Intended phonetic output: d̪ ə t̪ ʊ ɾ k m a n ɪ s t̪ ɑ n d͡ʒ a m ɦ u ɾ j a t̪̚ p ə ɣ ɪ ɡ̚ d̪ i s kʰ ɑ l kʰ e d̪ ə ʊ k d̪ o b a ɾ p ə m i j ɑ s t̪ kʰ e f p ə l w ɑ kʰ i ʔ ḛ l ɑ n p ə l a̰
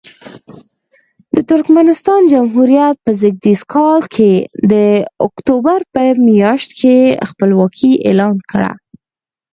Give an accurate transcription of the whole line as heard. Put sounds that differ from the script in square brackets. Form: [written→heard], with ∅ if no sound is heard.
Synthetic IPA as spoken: d̪ ə t̪ ʊ ɾ k m a n ɪ s t̪ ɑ n d͡ʒ a m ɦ u ɾ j a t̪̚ p ə [ɣ→z] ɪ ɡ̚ d̪ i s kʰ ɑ l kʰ e d̪ ə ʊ k [d̪→t̪] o b a ɾ p ə m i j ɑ [s→ʃ] t̪ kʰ e [f→x] p ə l w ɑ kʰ i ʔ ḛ l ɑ n [p→k] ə [l→ɽ] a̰

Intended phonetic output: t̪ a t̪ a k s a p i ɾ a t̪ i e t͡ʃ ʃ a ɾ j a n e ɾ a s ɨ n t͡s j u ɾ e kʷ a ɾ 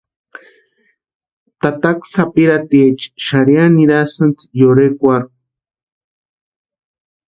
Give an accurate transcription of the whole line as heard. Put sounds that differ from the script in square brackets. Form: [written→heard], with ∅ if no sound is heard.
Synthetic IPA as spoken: t̪ a t̪ a k s a p i ɾ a t̪ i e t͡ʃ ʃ a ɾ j a n [e→i] ɾ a s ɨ n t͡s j [u→o] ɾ e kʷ a ɾ

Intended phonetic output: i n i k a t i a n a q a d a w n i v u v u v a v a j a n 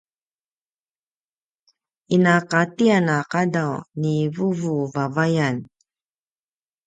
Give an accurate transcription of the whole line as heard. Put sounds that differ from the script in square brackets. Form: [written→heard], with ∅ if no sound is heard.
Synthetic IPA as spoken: i n [i→a] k a t i a n a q a d a w n i v u v u v a v a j a n

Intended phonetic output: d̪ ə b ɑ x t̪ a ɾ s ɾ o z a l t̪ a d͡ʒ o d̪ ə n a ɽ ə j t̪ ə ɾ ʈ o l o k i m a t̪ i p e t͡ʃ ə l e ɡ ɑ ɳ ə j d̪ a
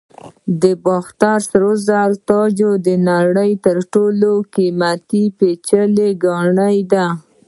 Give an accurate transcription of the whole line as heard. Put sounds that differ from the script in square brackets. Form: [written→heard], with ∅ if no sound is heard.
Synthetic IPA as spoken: d̪ ə b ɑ x t̪ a ɾ s ɾ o z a l t̪ [a→ɑ] d͡ʒ o d̪ ə n a ɽ ə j t̪ ə ɾ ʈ o l o k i m a t̪ i p e t͡ʃ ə l e ɡ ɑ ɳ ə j d̪ a

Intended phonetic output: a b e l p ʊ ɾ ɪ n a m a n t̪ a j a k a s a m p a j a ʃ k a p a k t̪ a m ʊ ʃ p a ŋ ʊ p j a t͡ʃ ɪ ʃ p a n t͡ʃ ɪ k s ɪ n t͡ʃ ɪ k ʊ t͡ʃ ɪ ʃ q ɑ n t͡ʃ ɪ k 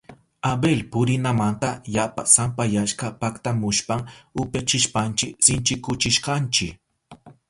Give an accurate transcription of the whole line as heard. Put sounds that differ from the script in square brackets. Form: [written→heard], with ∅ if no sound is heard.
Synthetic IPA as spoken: a b e l p ʊ ɾ ɪ n a m a n t̪ a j a [k→p] a s a m p a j a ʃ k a p a k t̪ a m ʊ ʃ p a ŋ ʊ p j a t͡ʃ ɪ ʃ p a n t͡ʃ ɪ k s ɪ n t͡ʃ ɪ k ʊ t͡ʃ ɪ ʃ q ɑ n t͡ʃ ɪ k

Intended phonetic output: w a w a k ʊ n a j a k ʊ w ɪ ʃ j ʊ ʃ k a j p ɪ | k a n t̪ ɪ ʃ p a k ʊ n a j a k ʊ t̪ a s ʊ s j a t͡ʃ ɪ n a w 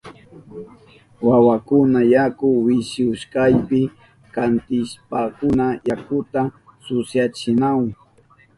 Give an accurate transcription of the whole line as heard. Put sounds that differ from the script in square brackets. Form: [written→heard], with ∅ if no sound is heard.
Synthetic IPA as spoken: w a w a k ʊ n a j a k ʊ w ɪ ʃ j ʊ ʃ k a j p ɪ | k a n t̪ ɪ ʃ p a k ʊ n a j a k ʊ t̪ a s ʊ s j a t͡ʃ ɪ n a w

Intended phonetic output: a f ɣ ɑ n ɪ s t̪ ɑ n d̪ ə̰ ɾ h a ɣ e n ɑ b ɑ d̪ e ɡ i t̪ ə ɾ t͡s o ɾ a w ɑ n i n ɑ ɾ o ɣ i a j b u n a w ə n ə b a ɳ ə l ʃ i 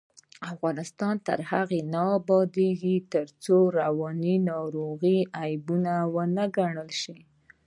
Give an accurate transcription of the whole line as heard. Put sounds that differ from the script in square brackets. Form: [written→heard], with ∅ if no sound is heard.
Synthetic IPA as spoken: a f ɣ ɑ n ɪ s t̪ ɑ n [d̪→t̪] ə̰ ɾ h a ɣ e n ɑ b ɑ d̪ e ɡ i t̪ ə ɾ t͡s o ɾ a w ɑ n i n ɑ ɾ o ɣ i a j b u n a w ə n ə [b→ɡ] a ɳ ə l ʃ i

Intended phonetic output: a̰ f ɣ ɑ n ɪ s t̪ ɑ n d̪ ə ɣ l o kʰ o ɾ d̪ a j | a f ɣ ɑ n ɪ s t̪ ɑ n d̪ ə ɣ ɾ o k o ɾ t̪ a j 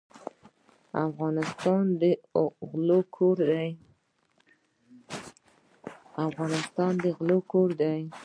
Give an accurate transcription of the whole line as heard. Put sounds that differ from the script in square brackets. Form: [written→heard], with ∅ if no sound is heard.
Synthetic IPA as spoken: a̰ f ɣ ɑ n ɪ s t̪ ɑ n d̪ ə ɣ l o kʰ o ɾ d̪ a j | a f ɣ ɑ n ɪ s t̪ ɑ n d̪ ə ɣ [ɾ→l] o k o ɾ [t̪→d̪] a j

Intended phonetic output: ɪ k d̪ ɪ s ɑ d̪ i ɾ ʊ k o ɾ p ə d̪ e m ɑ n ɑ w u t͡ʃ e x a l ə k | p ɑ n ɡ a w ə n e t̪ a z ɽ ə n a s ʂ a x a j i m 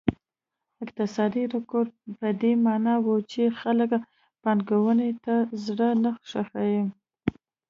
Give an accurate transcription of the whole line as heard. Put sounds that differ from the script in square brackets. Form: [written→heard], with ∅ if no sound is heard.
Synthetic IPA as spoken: ɪ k [d̪→t̪] ɪ s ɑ d̪ i ɾ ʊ k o ɾ p ə d̪ e m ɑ n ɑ w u t͡ʃ e x a l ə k | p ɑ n ɡ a w ə n e t̪ a z ɽ ə n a [s→x] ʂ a x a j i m

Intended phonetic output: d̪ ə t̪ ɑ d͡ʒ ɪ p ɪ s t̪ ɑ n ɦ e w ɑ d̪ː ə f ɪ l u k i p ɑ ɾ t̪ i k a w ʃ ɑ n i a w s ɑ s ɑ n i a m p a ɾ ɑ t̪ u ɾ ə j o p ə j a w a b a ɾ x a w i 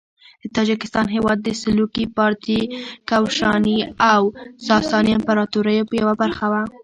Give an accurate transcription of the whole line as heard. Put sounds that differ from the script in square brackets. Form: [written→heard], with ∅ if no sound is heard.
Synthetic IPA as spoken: d̪ ə t̪ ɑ d͡ʒ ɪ [p→k] ɪ s t̪ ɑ n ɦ e w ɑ d̪ː ə [f→s] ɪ l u k i p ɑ ɾ t̪ i k a w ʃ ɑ n i a w s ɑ s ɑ n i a m p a ɾ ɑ t̪ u ɾ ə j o p ə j a w a b a ɾ x a w [i→a]

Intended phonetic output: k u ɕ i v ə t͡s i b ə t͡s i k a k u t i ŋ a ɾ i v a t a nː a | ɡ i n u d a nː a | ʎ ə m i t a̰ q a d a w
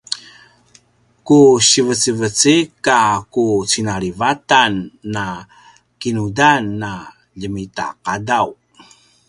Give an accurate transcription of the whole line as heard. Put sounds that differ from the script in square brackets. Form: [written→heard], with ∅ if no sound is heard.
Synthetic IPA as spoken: k u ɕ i v ə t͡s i [b→v] ə t͡s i k a k u [t→t͡s] i [ŋ→n] a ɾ i v a t a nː a | [ɡ→k] i n u d a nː a | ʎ ə m i t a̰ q a d a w

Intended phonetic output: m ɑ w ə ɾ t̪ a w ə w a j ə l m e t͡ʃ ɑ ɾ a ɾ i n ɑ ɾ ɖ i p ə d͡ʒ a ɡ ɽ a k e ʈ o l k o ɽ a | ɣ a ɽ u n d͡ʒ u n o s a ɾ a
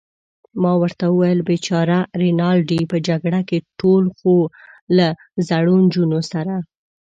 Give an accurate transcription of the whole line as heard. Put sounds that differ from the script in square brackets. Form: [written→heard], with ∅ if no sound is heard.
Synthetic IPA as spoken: m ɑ w ə ɾ t̪ a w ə w a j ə l [m→b] e t͡ʃ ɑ ɾ a ɾ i n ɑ [ɾ→l] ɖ i p ə d͡ʒ a ɡ ɽ a k e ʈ o l [k→x] o [ɽ→l] a | [ɣ→z] a ɽ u n d͡ʒ u n o s a ɾ a

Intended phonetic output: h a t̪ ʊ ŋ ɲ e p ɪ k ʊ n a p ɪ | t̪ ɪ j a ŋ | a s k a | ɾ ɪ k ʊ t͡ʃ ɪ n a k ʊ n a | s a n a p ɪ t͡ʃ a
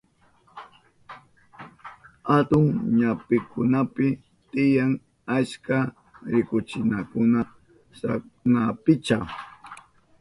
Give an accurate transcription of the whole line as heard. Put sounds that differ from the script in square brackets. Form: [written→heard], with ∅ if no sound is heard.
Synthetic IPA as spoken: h a t̪ ʊ ŋ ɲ [e→a] p ɪ k ʊ n a p ɪ | t̪ ɪ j a ŋ | a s k a | ɾ ɪ k ʊ t͡ʃ ɪ n a k ʊ n a | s a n a p ɪ t͡ʃ a

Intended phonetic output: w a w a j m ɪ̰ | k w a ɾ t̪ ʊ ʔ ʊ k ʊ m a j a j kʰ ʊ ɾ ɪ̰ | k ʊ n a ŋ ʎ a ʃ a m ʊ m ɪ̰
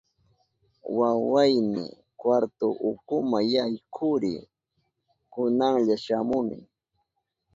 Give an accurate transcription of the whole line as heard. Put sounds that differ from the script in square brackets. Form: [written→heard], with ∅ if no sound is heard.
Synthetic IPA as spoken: w a w a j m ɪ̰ | k w a ɾ t̪ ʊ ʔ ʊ k ʊ m a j a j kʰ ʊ ɾ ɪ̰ | k ʊ n a ŋ ʎ a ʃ a m ʊ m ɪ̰

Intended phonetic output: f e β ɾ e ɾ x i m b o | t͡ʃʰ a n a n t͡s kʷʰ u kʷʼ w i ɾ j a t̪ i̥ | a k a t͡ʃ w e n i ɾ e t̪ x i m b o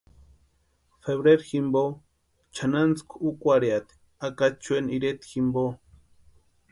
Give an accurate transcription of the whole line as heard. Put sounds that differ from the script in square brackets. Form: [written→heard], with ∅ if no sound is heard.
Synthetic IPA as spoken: f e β ɾ e ɾ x i m b o | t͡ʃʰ a n a n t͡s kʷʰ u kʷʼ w [i→a] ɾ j a t̪ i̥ | a k a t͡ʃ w e n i ɾ e t̪ x i m b o

